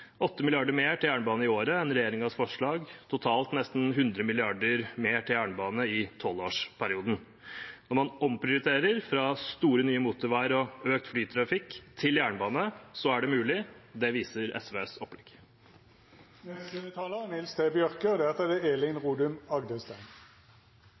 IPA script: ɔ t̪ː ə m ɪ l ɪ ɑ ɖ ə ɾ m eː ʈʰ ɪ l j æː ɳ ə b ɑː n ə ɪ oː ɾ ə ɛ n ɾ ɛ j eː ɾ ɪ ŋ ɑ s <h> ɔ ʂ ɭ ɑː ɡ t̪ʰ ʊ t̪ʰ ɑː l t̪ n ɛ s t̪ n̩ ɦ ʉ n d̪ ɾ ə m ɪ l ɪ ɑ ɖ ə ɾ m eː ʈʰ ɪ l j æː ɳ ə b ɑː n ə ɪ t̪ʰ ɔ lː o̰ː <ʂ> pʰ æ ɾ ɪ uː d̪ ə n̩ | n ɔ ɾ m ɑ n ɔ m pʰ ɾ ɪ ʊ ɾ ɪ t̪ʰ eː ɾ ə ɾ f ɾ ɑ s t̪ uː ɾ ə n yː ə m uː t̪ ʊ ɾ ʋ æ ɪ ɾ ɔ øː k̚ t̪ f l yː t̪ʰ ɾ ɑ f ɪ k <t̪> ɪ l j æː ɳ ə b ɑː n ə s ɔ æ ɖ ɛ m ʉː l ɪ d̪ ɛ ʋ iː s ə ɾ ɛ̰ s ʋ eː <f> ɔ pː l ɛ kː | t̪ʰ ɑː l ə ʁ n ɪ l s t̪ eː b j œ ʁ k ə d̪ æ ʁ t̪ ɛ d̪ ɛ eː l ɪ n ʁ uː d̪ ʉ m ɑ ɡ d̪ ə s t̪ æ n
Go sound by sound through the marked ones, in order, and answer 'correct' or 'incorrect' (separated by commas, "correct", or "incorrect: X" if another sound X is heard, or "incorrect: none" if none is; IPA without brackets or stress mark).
incorrect: f, correct, incorrect: t̪ʰ, incorrect: s